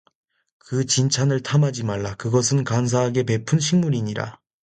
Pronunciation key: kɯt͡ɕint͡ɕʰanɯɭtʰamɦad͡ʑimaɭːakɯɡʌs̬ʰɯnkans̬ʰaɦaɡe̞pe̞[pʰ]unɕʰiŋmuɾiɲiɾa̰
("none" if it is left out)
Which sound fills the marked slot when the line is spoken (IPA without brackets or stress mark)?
pʰ